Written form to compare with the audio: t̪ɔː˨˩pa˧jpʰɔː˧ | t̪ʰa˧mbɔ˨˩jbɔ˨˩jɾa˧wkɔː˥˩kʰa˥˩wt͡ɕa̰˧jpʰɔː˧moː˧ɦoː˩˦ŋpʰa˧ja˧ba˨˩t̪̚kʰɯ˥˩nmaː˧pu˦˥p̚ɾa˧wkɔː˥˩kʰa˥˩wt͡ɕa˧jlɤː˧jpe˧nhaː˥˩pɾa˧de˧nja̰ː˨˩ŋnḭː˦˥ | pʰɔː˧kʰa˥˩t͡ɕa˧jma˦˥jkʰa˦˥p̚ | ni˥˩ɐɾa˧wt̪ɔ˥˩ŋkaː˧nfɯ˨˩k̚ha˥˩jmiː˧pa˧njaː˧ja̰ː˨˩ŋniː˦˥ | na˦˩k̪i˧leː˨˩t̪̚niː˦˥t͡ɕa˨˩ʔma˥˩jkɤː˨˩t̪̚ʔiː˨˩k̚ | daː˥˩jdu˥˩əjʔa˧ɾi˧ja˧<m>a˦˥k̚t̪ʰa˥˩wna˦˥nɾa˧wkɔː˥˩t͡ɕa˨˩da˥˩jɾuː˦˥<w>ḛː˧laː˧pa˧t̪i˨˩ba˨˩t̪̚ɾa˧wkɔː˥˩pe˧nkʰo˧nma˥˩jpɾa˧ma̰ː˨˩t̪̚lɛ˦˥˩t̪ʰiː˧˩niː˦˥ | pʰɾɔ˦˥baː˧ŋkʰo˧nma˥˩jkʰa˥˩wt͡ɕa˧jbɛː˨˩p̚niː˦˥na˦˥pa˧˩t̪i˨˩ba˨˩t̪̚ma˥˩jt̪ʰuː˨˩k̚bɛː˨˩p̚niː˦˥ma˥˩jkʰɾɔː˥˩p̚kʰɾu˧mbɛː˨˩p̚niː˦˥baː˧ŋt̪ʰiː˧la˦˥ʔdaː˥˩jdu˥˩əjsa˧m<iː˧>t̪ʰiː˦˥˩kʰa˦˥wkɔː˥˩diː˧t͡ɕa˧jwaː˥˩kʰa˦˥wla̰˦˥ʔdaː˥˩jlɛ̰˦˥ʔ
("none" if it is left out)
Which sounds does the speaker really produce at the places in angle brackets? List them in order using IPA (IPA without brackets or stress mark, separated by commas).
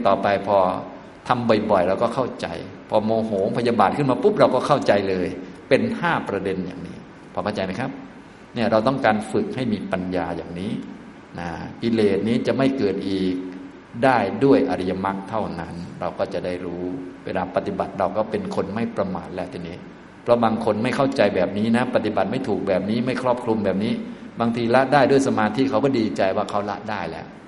m, w, aː˧